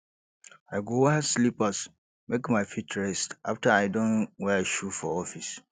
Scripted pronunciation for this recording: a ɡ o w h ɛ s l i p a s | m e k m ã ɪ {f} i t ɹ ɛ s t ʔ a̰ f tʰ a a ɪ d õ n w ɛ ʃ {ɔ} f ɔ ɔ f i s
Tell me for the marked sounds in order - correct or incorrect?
correct, incorrect: u

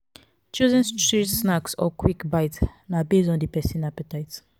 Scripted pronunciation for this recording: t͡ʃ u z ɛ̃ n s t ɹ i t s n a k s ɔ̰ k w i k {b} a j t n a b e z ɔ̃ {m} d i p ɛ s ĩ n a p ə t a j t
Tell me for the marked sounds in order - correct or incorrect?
correct, incorrect: n

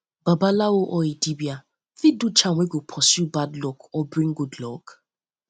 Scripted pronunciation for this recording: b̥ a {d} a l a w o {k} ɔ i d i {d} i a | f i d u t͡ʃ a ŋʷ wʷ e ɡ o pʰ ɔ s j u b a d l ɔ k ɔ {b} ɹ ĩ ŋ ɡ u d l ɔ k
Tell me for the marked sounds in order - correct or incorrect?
incorrect: b, incorrect: ʔ, incorrect: b, correct

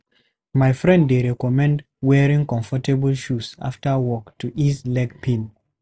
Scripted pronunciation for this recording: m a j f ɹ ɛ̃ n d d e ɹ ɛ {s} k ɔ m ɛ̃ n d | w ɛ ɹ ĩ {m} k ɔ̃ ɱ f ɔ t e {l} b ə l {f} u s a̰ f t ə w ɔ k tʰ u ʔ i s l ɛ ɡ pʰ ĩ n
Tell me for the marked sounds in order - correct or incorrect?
incorrect: none, incorrect: ŋ, incorrect: none, incorrect: ʃ

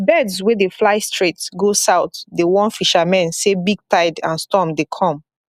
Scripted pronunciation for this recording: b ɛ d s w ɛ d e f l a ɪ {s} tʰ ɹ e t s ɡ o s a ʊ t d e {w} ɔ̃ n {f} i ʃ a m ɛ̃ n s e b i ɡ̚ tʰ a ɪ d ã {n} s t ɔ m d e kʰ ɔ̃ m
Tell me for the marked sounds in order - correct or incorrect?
correct, correct, correct, correct

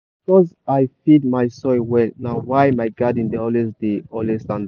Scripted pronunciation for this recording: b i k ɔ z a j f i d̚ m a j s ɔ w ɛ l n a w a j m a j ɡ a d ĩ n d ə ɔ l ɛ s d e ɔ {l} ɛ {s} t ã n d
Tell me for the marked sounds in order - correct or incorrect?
correct, correct

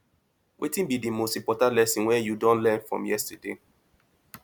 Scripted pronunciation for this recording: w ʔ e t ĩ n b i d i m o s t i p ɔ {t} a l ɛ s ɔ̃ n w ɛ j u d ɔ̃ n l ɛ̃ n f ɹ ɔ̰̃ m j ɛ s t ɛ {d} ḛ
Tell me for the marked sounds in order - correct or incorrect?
correct, correct

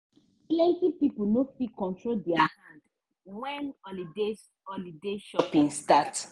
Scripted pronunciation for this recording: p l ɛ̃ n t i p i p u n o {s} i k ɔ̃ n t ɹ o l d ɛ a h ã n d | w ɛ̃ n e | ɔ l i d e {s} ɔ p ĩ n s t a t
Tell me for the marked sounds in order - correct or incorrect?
incorrect: f, incorrect: ʃ

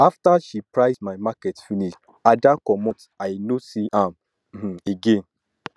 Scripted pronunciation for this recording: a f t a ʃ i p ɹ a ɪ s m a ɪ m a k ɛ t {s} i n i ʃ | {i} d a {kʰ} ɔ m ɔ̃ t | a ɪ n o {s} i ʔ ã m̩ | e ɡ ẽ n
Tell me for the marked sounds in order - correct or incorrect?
incorrect: f, incorrect: a, incorrect: k, correct

